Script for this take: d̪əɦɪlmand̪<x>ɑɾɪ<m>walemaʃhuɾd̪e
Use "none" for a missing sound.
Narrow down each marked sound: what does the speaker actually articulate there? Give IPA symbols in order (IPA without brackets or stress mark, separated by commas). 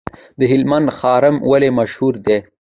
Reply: x, m